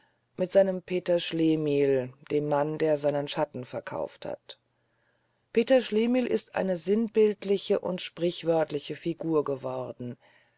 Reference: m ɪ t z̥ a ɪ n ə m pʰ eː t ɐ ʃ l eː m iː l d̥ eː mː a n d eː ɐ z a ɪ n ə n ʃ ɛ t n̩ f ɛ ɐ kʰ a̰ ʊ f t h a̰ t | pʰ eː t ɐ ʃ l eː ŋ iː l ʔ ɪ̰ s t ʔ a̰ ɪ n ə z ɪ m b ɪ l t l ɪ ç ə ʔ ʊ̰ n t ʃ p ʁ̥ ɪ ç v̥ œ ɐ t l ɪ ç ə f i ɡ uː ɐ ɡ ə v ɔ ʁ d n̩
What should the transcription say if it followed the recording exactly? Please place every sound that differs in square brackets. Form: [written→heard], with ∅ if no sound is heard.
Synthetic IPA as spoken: m ɪ t z̥ a ɪ n ə m pʰ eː t ɐ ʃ l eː m iː l d̥ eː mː a n d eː ɐ z a ɪ n ə n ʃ [ɛ→a] t n̩ f ɛ ɐ kʰ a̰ ʊ f t h a̰ t | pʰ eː t ɐ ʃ l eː [ŋ→m] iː l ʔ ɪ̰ s t ʔ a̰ ɪ n ə z ɪ [m→n] b ɪ l t l ɪ ç ə ʔ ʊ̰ n t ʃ p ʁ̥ ɪ ç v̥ œ ɐ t l ɪ ç ə f i ɡ uː ɐ ɡ ə v ɔ ʁ d n̩

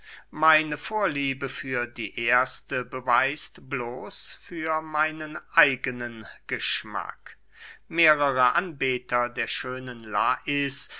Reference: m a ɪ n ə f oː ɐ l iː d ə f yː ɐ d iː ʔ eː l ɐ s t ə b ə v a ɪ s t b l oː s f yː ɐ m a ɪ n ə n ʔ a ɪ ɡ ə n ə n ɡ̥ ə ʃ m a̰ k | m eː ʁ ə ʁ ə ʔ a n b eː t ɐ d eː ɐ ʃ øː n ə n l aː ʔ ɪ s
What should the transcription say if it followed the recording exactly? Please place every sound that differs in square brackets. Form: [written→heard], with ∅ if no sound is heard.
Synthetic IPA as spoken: m a ɪ n ə f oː ɐ l iː [d→b] ə f yː ɐ d iː ʔ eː [l→∅] ɐ s t ə b ə v a ɪ s t b l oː s f yː ɐ m a ɪ n ə n ʔ a ɪ ɡ ə n ə n ɡ̥ ə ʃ m a̰ k | m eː ʁ ə ʁ ə ʔ a n b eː t ɐ d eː ɐ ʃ øː n ə n l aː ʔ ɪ s

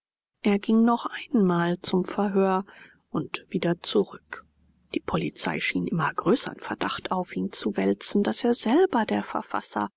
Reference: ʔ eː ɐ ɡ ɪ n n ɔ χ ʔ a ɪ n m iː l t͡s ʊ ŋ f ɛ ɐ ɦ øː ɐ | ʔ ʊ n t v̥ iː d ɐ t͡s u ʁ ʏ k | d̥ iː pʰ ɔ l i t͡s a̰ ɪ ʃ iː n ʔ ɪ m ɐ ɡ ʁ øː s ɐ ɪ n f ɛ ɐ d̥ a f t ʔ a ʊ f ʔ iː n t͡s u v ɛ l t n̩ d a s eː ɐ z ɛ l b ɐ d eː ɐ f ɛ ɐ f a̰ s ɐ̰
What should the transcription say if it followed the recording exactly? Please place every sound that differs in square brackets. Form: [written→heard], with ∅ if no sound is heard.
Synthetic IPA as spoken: ʔ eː ɐ ɡ ɪ [n→ŋ] n ɔ χ ʔ a ɪ n m [iː→aː] l t͡s ʊ [ŋ→m] f ɛ ɐ ɦ øː ɐ | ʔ ʊ n t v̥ iː d ɐ t͡s u ʁ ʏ k | d̥ iː pʰ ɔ l i t͡s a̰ ɪ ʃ iː n ʔ ɪ m ɐ ɡ ʁ øː s ɐ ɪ n f ɛ ɐ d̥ a [f→χ] t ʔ a ʊ f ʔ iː n t͡s u v ɛ l [t→t͡s] n̩ d a s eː ɐ z ɛ l b ɐ d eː ɐ f ɛ ɐ f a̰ s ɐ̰

